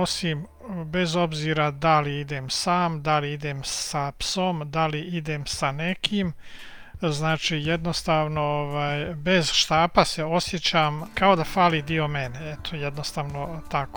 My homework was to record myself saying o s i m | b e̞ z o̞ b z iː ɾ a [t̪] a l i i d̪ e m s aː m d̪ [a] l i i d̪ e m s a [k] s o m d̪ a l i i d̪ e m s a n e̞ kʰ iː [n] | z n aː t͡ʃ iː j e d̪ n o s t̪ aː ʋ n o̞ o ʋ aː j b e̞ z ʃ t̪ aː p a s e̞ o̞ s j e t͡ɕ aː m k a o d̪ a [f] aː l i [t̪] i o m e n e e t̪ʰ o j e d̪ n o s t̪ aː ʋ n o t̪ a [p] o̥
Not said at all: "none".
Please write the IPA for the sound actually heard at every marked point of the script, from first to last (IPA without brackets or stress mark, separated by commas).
d̪, a, p, m, f, d̪, k